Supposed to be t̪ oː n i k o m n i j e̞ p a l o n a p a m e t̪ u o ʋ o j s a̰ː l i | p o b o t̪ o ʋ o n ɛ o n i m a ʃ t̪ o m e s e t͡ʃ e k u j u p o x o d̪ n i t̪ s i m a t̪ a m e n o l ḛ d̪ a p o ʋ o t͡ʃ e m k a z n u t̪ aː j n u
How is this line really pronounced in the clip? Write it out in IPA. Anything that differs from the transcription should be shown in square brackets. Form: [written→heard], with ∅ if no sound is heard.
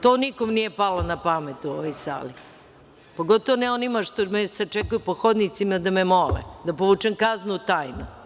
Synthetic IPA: t̪ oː n i k o m n i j e̞ p a l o n a p a m e t̪ u o ʋ o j s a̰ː l i | p o [b→ɡ] o t̪ o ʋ o n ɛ o n i m a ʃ t̪ o m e s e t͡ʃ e k u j u p o x o d̪ n i t̪ s i m a [t̪→d̪] a m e [n→m] o l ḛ d̪ a p o ʋ [o→u] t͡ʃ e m k a z n u t̪ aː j n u